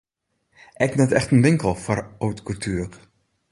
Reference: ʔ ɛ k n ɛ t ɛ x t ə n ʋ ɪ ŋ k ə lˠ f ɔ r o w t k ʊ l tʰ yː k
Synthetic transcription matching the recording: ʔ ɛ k n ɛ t ɛ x t ə n ʋ ɪ ŋ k ə lˠ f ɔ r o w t k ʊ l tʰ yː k